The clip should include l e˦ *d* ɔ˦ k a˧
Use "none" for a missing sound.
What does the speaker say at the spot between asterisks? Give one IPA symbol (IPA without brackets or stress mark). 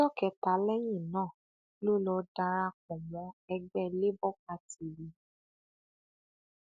b